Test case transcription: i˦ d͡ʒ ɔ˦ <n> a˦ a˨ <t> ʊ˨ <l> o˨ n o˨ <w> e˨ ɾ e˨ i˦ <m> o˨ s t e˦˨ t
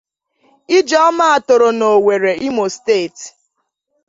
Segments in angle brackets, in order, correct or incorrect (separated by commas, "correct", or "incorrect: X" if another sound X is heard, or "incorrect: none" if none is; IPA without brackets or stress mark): incorrect: m, correct, incorrect: ɾ, correct, correct